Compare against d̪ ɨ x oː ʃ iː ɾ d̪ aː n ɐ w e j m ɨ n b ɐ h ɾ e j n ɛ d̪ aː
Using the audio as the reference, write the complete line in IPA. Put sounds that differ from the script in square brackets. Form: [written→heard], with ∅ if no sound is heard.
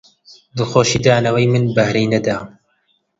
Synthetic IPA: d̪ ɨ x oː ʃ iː [ɾ→∅] d̪ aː n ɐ w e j m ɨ n b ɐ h ɾ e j n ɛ d̪ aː

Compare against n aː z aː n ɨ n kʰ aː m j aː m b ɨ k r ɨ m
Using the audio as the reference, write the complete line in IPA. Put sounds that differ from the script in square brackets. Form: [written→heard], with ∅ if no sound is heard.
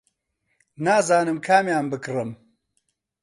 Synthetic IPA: n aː z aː n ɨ [n→m] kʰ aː m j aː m b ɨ k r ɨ m

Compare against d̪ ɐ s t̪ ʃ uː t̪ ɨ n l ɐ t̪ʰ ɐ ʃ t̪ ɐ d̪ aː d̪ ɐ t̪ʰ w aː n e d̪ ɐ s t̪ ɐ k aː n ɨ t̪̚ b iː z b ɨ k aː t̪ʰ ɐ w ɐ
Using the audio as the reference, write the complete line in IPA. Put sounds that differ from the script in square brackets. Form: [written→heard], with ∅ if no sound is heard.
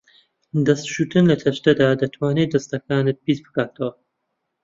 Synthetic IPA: d̪ ɐ s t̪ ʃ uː t̪ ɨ n l ɐ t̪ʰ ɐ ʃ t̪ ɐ d̪ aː d̪ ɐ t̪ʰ w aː n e d̪ ɐ s t̪ ɐ k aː n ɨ t̪̚ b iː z b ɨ k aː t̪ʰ ɐ w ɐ

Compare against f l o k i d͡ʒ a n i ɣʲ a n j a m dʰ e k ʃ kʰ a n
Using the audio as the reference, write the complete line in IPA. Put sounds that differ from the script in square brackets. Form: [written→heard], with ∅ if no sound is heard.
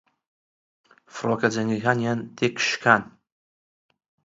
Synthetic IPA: f [l→r] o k [i→a] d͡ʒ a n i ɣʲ a n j a [m→n] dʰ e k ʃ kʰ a n

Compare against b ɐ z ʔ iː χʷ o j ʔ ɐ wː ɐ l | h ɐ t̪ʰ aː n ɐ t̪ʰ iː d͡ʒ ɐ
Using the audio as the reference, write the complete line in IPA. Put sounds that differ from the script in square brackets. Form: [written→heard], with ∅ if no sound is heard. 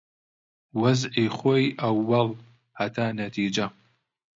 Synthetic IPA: [b→w] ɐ z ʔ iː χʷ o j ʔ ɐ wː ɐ l | h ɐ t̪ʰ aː n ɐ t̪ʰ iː d͡ʒ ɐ

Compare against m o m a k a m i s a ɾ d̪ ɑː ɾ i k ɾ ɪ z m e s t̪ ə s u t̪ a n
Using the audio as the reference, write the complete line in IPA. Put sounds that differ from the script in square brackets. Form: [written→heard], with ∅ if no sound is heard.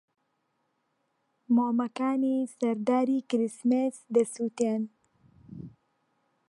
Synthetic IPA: m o m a k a [m→n] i s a ɾ d̪ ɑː ɾ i k ɾ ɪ [z→s] m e s [t̪→d̪] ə s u t̪ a n

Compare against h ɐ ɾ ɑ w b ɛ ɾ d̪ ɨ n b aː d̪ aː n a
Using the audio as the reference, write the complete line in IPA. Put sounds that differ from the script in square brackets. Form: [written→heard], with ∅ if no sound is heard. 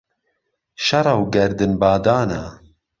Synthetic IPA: [h→ʃ] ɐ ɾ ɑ w [b→ɡ] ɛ ɾ d̪ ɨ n b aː d̪ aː n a

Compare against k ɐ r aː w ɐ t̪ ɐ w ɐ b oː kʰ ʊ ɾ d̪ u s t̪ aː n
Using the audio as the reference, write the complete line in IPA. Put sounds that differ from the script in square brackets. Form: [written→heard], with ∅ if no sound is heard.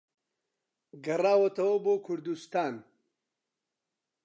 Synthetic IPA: [k→ɡ] ɐ r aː w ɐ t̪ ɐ w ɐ b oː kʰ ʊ ɾ d̪ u s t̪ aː n

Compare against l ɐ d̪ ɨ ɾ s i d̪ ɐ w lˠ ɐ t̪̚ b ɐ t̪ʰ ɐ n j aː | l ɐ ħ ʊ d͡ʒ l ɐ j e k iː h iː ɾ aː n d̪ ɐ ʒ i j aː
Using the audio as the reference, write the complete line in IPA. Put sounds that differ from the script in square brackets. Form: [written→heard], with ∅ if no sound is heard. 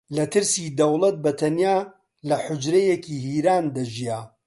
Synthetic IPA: l ɐ [d̪→t̪] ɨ ɾ s i d̪ ɐ w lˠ ɐ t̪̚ b ɐ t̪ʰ ɐ n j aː | l ɐ ħ ʊ d͡ʒ [l→ɾ] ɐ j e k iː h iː ɾ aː n d̪ ɐ ʒ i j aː

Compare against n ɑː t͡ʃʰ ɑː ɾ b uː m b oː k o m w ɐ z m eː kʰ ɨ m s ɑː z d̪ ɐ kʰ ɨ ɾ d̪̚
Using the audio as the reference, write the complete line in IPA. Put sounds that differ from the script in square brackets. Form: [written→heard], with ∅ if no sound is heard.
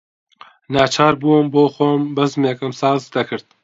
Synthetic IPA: n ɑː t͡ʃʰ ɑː ɾ b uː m b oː [k→x] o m [w→b] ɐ z m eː [kʰ→k] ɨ m s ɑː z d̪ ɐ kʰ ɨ ɾ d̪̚

